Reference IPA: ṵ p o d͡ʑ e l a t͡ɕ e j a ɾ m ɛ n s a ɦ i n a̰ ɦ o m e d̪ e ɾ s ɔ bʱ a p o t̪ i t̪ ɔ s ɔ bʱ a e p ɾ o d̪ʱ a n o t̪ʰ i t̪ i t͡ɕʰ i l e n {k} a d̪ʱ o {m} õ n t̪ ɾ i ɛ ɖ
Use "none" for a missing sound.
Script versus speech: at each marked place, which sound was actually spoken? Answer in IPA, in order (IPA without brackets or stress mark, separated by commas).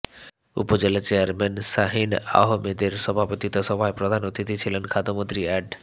kʰ, m